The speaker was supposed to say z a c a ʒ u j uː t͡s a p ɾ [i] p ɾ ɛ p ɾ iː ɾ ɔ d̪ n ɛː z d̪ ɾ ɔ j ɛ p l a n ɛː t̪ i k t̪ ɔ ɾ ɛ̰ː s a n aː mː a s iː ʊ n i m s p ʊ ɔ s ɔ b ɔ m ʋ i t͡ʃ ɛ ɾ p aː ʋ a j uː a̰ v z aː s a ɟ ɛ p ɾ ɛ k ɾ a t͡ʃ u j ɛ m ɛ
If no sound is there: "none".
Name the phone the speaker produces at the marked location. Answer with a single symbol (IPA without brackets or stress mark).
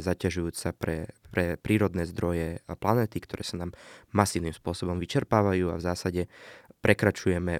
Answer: ɛ